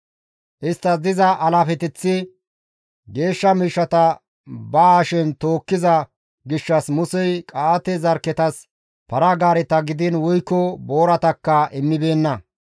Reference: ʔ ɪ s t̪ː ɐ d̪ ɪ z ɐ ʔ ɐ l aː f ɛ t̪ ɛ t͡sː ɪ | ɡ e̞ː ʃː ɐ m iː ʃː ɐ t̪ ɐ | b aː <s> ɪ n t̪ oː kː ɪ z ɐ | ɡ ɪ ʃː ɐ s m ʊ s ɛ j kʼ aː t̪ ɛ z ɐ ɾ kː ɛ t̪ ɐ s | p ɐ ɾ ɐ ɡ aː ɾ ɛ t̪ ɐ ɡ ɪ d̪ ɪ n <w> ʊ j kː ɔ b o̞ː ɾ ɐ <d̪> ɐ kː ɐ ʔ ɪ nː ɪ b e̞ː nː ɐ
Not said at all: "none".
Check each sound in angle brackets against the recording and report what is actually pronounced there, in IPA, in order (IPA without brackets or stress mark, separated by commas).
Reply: ʃ, w, t̪